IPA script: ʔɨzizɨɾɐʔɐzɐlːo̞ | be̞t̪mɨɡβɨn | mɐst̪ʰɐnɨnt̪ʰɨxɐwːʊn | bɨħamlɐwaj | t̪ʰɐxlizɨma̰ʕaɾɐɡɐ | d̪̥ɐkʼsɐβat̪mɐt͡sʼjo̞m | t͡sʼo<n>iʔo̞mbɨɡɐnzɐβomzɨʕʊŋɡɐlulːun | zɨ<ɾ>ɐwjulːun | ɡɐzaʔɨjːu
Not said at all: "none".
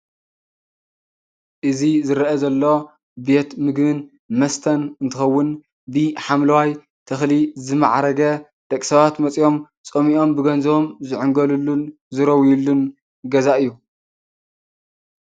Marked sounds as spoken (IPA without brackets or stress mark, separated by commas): m, ɾ